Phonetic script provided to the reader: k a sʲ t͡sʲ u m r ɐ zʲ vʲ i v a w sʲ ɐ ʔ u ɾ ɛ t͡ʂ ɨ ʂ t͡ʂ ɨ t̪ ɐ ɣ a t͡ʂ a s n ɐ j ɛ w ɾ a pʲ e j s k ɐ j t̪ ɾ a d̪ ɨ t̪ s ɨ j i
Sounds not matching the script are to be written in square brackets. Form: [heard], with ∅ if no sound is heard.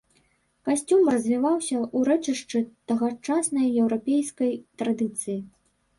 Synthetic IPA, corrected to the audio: k a sʲ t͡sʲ u m r ɐ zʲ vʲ i v a w sʲ ɐ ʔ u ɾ ɛ t͡ʂ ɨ ʂ t͡ʂ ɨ t̪ ɐ ɣ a t͡ʂ a s n ɐ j ɛ w ɾ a pʲ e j s k ɐ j t̪ ɾ a d̪ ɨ t̪ s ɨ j i